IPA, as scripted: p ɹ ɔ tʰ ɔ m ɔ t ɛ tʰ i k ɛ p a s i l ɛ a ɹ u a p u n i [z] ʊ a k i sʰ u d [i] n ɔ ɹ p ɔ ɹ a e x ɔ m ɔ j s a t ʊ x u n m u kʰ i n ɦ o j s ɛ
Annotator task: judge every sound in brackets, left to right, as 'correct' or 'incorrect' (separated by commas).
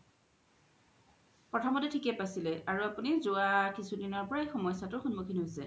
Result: correct, correct